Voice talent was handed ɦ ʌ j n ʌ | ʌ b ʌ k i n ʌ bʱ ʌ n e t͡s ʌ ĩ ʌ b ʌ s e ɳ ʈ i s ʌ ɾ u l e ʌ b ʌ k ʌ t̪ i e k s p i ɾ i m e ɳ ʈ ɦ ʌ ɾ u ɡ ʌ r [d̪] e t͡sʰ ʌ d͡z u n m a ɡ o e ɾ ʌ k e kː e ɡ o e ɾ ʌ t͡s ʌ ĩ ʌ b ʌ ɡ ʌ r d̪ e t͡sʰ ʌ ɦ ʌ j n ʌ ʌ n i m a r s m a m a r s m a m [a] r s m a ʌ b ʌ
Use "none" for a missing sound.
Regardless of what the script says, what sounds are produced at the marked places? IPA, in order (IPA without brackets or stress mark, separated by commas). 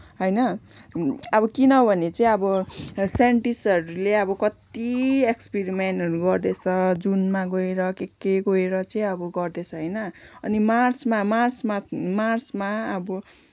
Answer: d̪, a